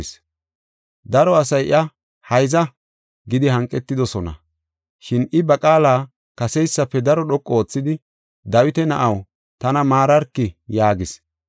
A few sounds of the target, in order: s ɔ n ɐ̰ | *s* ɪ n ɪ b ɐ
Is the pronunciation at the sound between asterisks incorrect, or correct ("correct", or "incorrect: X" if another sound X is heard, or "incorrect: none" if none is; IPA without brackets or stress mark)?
incorrect: ʃ